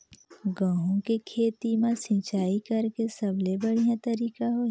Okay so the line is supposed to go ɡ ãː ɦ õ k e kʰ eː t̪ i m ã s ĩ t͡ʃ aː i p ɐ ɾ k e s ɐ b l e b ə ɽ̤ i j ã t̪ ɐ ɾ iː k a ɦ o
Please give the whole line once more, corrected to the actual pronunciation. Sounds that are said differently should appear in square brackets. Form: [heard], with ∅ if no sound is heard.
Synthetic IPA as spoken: ɡ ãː ɦ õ k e kʰ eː t̪ i m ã s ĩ t͡ʃ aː i [k] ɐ ɾ k e s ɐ b l e b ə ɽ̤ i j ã t̪ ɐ ɾ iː k a ɦ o